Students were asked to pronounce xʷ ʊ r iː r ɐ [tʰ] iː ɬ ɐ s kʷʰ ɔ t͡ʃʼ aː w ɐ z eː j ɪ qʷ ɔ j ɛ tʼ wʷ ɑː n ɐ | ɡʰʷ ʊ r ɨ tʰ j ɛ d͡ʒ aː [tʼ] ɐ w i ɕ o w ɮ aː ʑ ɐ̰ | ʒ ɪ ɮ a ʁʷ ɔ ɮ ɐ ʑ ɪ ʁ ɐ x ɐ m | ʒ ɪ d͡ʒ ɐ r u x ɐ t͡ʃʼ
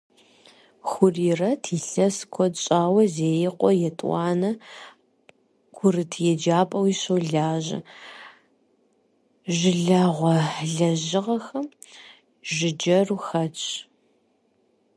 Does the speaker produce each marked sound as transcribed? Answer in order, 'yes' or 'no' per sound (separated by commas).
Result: yes, no